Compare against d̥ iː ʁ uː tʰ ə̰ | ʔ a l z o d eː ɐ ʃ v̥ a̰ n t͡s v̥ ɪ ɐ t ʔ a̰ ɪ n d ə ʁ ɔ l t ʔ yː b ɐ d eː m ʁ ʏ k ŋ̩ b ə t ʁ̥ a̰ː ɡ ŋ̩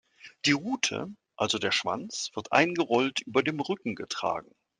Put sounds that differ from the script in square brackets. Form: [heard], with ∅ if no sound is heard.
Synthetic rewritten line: d̥ iː ʁ uː tʰ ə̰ | ʔ a l z o d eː ɐ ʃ v̥ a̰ n t͡s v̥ ɪ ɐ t ʔ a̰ ɪ n [ɡ] ə ʁ ɔ l t ʔ yː b ɐ d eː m ʁ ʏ k ŋ̩ [ɡ] ə t ʁ̥ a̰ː ɡ ŋ̩